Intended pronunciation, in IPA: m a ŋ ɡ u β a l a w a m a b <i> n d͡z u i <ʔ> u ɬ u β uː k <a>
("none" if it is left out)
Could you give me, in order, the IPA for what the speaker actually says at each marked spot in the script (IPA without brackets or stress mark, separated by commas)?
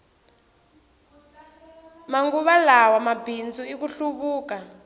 i, k, a